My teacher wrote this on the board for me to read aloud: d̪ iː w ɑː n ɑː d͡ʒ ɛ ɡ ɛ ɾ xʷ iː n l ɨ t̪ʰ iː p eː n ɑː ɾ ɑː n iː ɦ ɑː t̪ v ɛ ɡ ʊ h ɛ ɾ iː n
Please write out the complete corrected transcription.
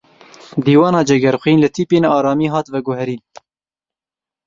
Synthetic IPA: d̪ iː w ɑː n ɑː d͡ʒ ɛ ɡ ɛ ɾ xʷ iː n l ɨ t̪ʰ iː p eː n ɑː ɾ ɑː m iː ɦ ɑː t̪ v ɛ ɡ ʊ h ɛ ɾ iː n